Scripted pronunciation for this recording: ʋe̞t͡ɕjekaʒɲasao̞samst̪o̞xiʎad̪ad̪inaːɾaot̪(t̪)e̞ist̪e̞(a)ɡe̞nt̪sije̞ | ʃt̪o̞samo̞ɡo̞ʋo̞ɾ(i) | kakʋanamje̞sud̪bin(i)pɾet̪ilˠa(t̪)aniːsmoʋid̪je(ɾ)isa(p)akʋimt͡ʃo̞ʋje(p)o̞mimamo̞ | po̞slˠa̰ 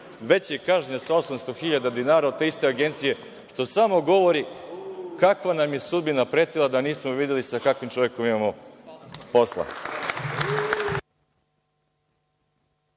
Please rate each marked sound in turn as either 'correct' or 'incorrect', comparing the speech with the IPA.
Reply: correct, correct, correct, incorrect: a, incorrect: d̪, incorrect: l, incorrect: k, incorrect: k

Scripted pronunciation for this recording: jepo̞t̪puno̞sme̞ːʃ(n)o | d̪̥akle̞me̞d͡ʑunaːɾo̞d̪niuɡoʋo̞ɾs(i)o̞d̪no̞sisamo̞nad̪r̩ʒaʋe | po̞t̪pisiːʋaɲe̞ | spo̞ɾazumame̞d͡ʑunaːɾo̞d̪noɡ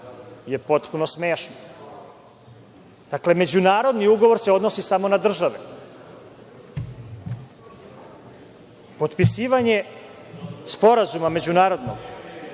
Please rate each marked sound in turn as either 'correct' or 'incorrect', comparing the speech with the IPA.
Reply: correct, incorrect: e

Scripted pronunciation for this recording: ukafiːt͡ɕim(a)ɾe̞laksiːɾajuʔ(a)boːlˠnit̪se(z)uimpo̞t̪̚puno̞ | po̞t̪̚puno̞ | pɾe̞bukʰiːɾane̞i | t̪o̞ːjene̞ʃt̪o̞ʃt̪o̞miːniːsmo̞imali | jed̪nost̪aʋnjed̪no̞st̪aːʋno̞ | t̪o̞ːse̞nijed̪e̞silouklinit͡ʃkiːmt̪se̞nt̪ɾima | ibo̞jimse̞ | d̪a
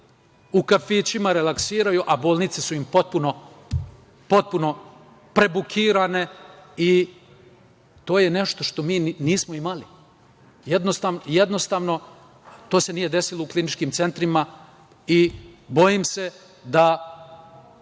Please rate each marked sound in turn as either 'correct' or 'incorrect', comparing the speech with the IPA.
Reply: correct, correct, incorrect: s

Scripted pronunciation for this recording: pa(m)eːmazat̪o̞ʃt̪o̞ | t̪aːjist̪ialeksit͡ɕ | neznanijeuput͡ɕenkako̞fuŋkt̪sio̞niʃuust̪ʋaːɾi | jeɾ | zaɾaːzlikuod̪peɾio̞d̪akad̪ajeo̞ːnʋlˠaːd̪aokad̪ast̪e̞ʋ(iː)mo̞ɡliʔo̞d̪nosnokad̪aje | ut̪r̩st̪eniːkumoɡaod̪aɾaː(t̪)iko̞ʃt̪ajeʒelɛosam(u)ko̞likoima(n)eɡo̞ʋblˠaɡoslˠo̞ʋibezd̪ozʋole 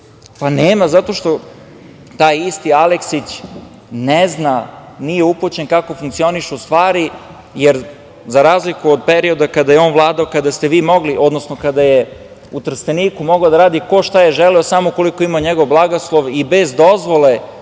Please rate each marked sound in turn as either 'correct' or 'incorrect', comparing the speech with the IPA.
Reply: incorrect: n, correct, incorrect: d̪, incorrect: o, incorrect: ɲ

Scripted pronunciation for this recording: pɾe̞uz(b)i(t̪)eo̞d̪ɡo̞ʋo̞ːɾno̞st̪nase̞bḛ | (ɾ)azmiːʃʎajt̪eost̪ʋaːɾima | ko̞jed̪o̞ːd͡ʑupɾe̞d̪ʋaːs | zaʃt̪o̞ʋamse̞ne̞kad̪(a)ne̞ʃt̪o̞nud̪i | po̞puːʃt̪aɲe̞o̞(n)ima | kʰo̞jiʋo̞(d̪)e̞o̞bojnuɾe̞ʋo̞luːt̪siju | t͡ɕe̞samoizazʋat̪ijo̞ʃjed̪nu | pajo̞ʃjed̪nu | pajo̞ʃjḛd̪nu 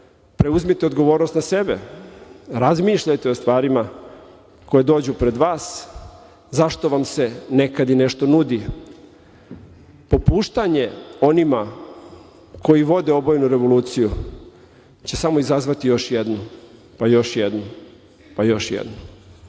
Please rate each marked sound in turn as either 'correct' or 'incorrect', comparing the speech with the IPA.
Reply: incorrect: m, correct, correct, incorrect: i, correct, correct

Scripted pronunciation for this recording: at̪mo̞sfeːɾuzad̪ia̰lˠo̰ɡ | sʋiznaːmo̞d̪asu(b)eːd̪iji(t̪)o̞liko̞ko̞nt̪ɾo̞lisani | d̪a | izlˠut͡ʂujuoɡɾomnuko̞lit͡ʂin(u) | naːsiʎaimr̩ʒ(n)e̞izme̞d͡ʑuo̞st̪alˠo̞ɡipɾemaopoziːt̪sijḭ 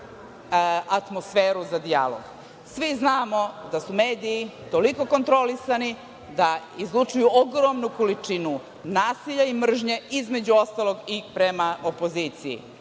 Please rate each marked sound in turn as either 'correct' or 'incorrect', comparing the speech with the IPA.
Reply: incorrect: m, correct, correct, incorrect: ɲ

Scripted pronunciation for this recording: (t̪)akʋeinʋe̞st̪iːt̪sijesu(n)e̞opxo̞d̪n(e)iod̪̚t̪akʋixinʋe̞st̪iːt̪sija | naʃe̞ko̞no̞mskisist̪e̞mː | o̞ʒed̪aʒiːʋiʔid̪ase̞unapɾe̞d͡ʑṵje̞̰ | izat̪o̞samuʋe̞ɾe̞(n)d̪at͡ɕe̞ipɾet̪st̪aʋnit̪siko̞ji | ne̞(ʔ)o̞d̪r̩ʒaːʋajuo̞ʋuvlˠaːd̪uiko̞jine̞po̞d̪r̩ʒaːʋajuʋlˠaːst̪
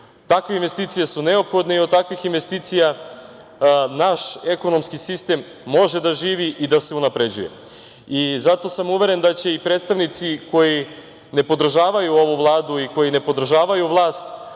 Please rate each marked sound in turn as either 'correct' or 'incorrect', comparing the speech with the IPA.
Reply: correct, correct, correct, correct, incorrect: p

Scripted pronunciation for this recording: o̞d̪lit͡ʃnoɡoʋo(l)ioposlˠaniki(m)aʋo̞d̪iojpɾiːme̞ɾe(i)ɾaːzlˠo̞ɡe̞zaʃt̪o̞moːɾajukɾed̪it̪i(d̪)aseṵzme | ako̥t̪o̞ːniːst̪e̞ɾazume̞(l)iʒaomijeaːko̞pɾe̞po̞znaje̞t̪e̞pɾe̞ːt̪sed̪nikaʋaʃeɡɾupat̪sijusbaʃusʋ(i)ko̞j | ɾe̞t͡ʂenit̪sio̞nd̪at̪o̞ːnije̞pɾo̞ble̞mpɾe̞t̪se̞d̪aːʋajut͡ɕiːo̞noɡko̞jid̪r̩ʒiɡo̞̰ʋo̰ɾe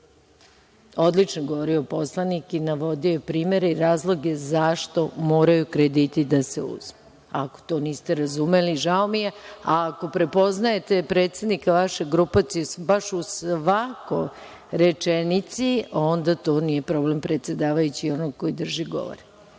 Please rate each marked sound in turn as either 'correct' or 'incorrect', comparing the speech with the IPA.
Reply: incorrect: ɾ, incorrect: n, correct, correct, correct, incorrect: a

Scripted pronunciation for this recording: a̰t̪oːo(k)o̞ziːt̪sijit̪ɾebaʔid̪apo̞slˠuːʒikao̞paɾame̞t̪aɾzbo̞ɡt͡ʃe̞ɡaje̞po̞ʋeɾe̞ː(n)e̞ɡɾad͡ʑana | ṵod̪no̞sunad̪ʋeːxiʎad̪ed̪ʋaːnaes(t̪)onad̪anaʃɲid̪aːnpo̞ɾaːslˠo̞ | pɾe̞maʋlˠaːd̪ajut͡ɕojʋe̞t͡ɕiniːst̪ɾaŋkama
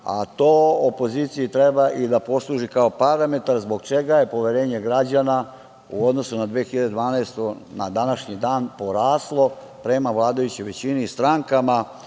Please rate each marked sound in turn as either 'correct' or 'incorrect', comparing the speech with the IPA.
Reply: incorrect: p, incorrect: ɲ, correct

